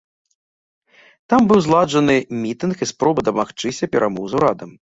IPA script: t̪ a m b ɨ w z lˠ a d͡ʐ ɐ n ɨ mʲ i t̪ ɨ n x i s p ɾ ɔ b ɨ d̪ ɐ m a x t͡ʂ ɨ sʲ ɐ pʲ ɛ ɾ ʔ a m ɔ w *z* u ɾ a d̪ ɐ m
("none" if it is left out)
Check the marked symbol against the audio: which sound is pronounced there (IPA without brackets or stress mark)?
z